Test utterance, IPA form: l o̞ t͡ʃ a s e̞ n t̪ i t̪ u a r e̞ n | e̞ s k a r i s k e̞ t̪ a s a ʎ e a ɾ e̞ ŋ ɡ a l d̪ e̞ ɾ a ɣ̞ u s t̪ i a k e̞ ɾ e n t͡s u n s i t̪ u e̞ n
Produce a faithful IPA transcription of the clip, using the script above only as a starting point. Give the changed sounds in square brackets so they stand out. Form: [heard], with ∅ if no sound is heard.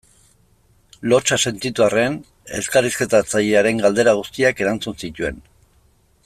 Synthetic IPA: l o̞ t͡ʃ a s e̞ n t̪ i t̪ u a r e̞ n | e̞ s k a r i s k e̞ t̪ a [t͡s] a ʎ e a ɾ e̞ ŋ ɡ a l d̪ e̞ ɾ a ɣ̞ u s t̪ i a k e̞ ɾ [a] n t͡s u n s i t̪ u e̞ n